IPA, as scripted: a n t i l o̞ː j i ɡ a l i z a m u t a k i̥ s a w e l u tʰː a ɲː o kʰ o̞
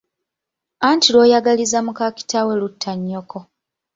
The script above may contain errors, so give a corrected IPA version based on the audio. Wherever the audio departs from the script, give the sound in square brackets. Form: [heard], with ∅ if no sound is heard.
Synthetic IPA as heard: a n t i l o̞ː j [a] ɡ a l i z a m u [k] a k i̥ [t] a w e l u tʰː a ɲː o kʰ o̞